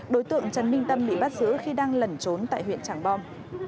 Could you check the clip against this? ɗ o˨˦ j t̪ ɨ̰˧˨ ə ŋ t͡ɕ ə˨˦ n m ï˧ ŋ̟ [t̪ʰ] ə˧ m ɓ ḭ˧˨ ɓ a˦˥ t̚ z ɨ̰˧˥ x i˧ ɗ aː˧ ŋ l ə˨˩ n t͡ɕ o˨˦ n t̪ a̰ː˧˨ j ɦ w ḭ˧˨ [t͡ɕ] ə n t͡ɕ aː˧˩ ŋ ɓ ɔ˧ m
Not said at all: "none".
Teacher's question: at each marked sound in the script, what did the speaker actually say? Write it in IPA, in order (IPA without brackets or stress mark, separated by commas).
t̪, none